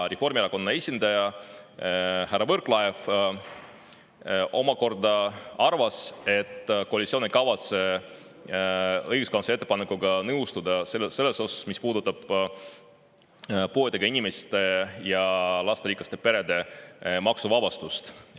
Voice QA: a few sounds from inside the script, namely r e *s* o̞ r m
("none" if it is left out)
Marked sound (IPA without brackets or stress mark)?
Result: f